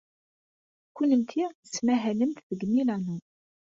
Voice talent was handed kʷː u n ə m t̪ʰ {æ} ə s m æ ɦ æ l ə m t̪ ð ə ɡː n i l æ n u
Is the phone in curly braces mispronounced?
yes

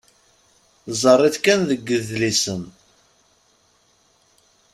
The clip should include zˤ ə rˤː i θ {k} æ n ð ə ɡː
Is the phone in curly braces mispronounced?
no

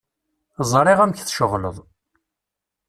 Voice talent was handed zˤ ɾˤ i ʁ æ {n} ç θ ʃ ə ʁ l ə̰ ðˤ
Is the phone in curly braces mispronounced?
yes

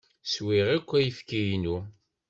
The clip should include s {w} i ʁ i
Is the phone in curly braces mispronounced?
no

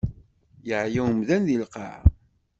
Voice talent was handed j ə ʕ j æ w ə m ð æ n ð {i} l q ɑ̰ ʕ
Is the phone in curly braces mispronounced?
no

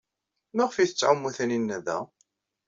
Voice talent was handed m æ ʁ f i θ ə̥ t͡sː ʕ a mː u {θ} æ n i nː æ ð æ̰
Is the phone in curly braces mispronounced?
no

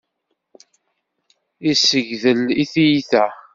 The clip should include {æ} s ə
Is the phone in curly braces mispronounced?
yes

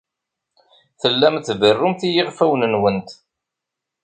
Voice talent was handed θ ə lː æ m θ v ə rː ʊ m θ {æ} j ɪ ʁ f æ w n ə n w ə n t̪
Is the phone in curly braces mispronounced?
yes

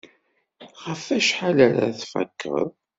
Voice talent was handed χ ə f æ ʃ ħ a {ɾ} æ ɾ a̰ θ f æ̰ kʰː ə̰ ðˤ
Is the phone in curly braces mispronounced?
yes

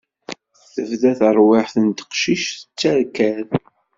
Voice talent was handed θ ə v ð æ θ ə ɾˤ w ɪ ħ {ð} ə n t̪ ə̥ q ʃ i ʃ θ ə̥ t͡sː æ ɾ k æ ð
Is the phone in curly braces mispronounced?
yes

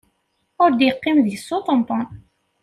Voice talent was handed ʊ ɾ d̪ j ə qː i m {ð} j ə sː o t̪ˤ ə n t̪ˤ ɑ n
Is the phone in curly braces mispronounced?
no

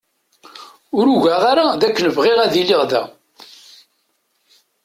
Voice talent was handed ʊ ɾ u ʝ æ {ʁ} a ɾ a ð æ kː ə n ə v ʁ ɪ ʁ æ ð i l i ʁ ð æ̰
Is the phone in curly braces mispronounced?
no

